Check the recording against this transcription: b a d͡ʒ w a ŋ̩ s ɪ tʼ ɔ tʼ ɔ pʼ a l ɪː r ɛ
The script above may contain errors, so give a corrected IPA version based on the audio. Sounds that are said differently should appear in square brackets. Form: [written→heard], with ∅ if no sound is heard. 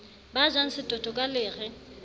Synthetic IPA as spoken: b a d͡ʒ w a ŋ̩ s ɪ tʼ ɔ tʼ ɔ [pʼ→kʼ] a l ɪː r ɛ